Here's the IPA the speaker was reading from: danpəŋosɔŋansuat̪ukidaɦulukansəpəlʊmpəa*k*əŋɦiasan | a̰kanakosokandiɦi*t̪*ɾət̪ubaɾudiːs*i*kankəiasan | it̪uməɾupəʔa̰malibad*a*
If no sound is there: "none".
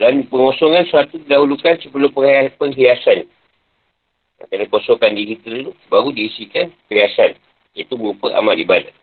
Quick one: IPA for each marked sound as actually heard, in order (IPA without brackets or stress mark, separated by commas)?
p, t̪, i, a